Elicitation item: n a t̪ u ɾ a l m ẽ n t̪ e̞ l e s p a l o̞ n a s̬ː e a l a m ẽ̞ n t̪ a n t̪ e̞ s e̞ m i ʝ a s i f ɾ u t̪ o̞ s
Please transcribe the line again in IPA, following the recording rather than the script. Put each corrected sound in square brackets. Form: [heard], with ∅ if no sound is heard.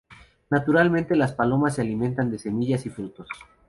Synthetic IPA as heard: n a t̪ u ɾ a l m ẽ n t̪ e̞ l [a] s p a l o̞ [m] a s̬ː e a l [i] m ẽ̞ n t̪ a n [d̪] e̞ s e̞ m i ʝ a s i f ɾ u t̪ o̞ s